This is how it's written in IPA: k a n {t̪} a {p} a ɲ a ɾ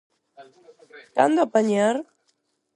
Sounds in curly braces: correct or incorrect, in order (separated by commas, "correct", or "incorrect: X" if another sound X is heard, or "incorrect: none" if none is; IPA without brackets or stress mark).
incorrect: d̪, correct